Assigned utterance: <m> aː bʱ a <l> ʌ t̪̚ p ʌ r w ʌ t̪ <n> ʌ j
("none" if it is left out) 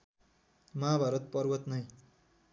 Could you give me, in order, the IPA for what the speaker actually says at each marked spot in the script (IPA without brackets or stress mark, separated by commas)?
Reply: m, ɾ, n